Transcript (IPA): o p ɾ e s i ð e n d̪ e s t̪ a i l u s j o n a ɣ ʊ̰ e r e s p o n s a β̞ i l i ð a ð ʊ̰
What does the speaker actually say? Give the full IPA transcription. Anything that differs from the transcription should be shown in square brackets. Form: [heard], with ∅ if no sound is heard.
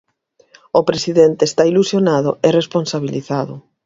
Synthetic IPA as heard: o p ɾ e s i ð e n [t̪] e s t̪ a i l u s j o n a [ð] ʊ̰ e r e s p o n s a β̞ i l i [θ] a ð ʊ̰

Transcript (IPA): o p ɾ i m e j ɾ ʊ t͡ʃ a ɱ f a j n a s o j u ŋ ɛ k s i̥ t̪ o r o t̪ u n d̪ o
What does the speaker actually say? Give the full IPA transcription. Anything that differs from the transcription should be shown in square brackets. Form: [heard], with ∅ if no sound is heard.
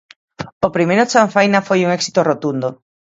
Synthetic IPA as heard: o p ɾ i m e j ɾ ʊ t͡ʃ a ɱ f a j n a [f] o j u ŋ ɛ k s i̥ t̪ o r o t̪ u n d̪ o

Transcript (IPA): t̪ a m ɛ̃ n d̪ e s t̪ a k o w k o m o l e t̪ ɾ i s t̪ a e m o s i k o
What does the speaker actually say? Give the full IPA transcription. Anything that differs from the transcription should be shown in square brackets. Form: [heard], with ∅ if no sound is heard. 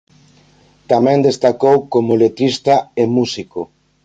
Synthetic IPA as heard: t̪ a m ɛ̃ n d̪ e s t̪ a k o w k o m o l e t̪ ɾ i s t̪ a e m [u] s i k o

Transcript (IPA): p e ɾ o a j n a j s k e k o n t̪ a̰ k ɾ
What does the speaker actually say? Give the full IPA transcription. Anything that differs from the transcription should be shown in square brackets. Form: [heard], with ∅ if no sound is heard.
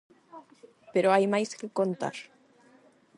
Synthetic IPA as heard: p e ɾ o a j [m] a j s k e k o n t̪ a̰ [∅] ɾ

